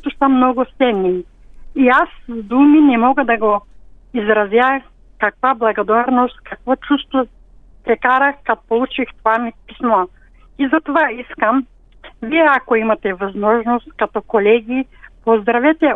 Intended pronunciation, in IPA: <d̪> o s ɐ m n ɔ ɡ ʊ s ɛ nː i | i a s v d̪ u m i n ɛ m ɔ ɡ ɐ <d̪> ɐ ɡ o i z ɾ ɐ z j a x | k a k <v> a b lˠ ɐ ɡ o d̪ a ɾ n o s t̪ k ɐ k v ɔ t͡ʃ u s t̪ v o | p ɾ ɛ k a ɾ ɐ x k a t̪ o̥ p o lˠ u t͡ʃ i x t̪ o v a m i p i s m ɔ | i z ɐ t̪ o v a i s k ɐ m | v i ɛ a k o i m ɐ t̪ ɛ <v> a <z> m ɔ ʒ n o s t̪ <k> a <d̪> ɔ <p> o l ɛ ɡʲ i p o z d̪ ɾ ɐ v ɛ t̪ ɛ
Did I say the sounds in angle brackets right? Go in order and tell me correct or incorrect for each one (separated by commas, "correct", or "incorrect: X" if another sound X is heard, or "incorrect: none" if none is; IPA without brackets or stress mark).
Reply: incorrect: t̪, correct, correct, correct, correct, correct, incorrect: t̪, incorrect: k